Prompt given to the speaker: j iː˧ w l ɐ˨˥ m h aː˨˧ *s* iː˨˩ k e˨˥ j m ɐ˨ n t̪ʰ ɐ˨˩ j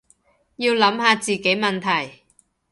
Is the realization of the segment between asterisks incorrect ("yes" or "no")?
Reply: yes